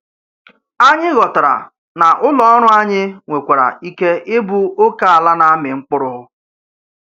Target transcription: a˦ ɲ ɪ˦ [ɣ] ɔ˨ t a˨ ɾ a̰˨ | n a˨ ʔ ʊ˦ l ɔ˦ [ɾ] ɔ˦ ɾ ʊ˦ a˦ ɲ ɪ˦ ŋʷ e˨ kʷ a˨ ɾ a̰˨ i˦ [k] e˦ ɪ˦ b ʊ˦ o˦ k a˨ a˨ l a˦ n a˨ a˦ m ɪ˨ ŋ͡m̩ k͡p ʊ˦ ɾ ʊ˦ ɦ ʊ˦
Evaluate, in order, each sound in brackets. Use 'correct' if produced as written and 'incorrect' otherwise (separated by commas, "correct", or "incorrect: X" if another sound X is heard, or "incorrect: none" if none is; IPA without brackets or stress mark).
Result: correct, incorrect: none, correct